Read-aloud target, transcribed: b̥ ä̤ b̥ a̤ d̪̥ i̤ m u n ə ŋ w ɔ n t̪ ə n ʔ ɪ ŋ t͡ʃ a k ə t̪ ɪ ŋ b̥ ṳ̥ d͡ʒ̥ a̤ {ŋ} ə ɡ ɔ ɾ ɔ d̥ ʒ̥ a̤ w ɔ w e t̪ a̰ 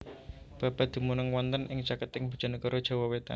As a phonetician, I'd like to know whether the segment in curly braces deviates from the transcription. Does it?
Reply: yes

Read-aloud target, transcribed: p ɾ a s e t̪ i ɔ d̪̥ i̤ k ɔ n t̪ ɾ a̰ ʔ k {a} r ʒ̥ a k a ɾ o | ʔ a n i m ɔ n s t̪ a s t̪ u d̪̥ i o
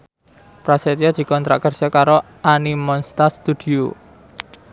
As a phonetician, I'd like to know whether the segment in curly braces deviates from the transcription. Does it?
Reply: yes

